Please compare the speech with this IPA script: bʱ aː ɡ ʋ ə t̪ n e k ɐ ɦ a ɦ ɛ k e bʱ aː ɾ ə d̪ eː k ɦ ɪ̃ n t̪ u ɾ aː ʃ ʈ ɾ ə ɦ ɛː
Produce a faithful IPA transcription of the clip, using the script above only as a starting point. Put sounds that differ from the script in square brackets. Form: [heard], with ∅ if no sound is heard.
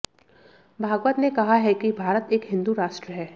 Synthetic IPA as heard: bʱ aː ɡ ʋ ə t̪ n e k ɐ ɦ a ɦ ɛ k [i] bʱ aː ɾ ə [t̪] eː k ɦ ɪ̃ n [d̪] u ɾ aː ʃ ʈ ɾ ə ɦ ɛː